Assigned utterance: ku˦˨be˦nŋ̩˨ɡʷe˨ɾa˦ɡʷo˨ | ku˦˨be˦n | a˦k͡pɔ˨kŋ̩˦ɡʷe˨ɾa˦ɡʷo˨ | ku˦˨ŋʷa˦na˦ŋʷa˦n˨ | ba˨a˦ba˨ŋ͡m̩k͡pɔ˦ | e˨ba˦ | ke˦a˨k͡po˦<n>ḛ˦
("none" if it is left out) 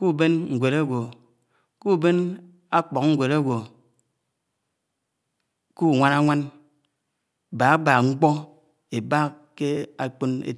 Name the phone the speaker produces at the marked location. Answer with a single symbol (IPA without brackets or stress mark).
n